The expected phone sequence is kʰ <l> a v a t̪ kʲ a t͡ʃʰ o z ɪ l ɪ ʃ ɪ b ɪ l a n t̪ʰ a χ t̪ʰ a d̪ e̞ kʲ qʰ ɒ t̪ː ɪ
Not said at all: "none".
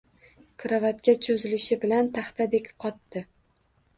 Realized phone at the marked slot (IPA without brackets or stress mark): ɾ